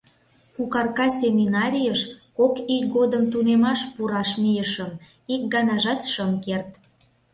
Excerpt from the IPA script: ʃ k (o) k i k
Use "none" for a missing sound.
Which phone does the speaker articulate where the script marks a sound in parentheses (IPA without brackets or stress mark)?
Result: o